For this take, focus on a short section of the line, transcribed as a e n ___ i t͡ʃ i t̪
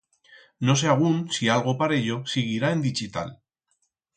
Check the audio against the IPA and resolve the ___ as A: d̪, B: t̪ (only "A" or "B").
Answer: A